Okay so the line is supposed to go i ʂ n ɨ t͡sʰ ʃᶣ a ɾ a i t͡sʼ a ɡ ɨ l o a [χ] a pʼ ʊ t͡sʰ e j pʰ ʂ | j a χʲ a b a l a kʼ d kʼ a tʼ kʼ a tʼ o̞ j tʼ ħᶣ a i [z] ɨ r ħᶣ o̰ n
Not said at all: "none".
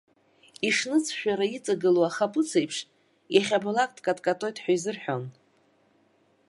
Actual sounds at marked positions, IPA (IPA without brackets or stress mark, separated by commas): χ, z